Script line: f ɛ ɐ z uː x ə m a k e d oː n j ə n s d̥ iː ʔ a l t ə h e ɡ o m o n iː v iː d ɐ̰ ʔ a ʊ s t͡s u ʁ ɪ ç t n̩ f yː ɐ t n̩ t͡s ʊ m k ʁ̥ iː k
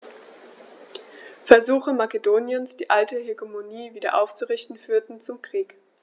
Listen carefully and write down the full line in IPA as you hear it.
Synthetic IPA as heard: f ɛ ɐ z uː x ə m a k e d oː n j ə n s d̥ iː ʔ a l t ə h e ɡ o m o n iː v iː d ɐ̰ ʔ a ʊ f t͡s u ʁ ɪ ç t n̩ f yː ɐ t n̩ t͡s ʊ m k ʁ̥ iː k